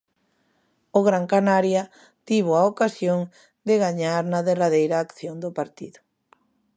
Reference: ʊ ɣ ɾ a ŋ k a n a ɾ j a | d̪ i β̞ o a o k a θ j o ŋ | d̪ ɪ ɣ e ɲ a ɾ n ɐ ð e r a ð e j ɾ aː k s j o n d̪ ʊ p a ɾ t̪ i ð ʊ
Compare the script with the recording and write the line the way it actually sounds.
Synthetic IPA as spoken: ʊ ɣ ɾ a ŋ k a n a ɾ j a | t̪ i β̞ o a o k a s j o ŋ | d̪ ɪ ɣ a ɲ a ɾ n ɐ ð e r a ð e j ɾ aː k θ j o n d̪ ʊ p a ɾ t̪ i ð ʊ